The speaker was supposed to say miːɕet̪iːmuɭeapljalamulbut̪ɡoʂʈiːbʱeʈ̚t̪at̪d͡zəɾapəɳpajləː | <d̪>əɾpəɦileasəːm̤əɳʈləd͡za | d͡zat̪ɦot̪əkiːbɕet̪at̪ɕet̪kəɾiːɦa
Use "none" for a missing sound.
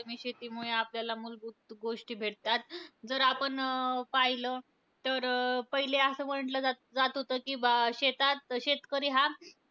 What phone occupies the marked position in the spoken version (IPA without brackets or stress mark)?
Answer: t̪